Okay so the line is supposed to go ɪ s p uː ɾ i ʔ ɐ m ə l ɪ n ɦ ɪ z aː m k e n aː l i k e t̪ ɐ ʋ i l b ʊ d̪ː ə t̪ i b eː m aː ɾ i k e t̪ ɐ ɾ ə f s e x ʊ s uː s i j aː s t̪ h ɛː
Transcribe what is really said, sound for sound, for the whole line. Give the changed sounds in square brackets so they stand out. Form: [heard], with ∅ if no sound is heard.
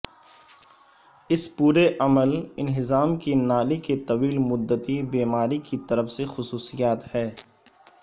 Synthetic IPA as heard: ɪ s p uː ɾ [e] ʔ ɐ m ə l ɪ n ɦ ɪ z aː m k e n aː l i k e t̪ ɐ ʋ [iː] l [m] ʊ d̪ː ə t̪ i b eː m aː ɾ i k [i] t̪ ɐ ɾ ə f s e x ʊ s uː s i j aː [∅] t̪ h ɛː